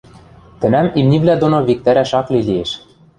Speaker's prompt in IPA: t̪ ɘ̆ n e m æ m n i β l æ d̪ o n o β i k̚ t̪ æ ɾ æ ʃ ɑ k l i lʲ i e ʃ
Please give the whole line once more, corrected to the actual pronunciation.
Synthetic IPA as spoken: t̪ ɘ̆ n æ m i m n i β l æ d̪ o n o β i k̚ t̪ æ ɾ æ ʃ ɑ k l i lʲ i e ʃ